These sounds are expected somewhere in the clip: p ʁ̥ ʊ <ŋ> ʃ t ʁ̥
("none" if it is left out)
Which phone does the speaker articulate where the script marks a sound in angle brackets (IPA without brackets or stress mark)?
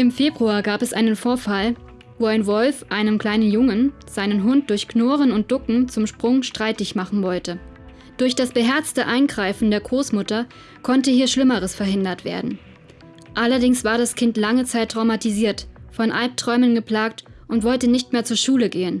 ŋ